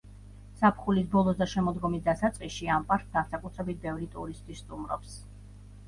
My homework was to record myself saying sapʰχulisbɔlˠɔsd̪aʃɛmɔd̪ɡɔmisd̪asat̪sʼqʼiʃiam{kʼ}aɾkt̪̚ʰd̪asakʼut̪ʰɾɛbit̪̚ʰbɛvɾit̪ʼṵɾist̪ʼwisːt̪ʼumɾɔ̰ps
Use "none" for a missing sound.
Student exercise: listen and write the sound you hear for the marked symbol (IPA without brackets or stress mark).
pʼ